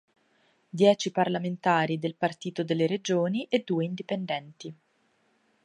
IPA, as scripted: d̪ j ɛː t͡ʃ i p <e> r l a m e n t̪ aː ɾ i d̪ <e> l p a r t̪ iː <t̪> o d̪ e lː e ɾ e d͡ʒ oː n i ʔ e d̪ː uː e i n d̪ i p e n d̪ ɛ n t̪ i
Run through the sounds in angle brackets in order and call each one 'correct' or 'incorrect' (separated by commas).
incorrect, correct, correct